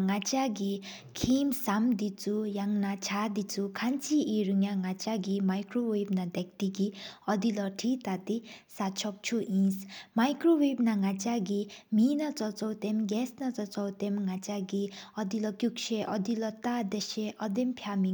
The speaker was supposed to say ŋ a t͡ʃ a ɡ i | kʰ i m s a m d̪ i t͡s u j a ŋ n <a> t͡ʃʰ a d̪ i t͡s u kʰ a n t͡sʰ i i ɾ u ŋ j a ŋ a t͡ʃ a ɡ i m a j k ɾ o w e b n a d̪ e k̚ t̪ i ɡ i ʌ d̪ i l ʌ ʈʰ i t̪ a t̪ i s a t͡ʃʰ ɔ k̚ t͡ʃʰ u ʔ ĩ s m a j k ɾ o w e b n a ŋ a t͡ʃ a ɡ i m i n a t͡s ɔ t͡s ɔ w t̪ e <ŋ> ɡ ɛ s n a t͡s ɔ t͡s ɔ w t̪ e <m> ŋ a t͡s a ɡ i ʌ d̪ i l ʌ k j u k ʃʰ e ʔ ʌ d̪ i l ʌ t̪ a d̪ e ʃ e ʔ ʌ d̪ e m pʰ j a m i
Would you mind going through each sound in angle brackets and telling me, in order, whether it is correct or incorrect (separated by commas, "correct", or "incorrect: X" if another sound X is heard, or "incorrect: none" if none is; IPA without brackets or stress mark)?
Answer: correct, incorrect: m, correct